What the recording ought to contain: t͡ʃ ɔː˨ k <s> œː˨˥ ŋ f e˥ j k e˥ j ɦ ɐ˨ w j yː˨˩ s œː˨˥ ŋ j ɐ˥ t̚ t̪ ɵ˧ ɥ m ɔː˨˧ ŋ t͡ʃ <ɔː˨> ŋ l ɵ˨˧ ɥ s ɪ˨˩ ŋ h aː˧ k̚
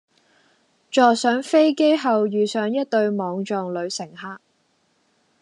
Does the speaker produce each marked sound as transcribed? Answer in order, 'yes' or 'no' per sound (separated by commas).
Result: yes, yes